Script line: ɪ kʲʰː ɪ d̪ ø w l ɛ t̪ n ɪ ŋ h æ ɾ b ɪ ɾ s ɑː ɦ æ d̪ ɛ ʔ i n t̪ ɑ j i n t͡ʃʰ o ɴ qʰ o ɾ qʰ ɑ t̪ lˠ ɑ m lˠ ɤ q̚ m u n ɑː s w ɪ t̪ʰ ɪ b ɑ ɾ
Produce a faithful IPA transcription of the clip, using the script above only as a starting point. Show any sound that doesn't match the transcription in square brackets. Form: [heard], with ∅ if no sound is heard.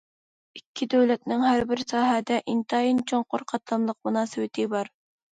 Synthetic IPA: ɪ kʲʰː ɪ d̪ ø w l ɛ t̪ n ɪ ŋ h æ ɾ b ɪ ɾ s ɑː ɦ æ d̪ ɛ ʔ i n t̪ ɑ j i n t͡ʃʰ o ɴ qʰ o ɾ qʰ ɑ t̪ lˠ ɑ m lˠ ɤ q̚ m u n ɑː s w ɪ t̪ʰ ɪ b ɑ ɾ